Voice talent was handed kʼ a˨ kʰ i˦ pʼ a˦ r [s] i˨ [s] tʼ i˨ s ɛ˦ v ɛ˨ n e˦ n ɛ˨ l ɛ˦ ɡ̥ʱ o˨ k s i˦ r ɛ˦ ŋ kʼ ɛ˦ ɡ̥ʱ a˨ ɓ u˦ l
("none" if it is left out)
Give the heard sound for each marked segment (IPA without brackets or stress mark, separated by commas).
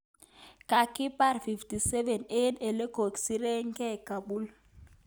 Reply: f, f